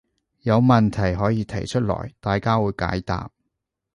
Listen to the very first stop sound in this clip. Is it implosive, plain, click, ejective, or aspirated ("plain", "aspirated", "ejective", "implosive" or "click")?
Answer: aspirated